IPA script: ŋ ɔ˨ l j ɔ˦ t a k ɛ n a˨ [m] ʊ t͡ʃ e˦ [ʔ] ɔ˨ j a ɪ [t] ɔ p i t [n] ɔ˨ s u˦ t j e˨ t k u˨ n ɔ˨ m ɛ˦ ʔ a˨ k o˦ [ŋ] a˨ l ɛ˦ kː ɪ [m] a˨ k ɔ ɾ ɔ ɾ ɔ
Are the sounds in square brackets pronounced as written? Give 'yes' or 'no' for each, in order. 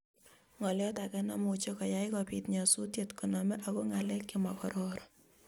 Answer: yes, no, no, no, yes, yes

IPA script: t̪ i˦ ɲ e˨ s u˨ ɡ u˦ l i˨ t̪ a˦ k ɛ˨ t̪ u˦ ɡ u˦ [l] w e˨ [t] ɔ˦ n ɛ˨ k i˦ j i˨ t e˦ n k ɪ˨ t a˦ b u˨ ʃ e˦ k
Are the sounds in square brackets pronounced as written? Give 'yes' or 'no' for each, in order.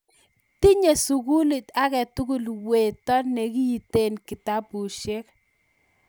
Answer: yes, yes

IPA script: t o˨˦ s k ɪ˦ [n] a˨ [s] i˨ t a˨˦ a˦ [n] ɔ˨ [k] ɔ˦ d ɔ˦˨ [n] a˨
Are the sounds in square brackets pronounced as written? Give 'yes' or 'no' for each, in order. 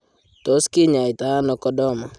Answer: no, no, yes, yes, no

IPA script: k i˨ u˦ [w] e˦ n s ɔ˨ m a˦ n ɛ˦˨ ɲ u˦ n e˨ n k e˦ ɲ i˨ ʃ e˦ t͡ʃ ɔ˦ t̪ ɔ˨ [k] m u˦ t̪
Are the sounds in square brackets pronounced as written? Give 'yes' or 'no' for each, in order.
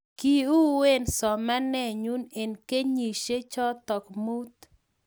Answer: yes, yes

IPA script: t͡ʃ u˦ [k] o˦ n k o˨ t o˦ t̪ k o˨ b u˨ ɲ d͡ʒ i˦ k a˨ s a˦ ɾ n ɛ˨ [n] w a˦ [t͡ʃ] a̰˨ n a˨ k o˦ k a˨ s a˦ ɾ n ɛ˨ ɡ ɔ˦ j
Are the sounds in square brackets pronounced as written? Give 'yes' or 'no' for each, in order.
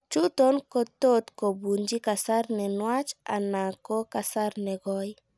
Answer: no, yes, yes

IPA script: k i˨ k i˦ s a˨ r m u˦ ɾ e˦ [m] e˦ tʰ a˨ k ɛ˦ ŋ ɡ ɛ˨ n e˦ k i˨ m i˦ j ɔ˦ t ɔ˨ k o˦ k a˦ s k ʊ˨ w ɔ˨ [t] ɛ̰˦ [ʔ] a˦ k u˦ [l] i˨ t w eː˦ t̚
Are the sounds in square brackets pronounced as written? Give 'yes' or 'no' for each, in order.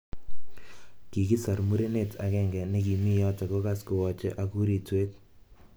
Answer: no, no, yes, no

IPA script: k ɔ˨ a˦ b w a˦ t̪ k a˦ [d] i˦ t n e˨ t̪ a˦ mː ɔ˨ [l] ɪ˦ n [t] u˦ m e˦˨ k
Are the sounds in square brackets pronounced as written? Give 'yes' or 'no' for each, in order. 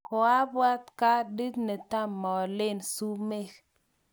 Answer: yes, yes, no

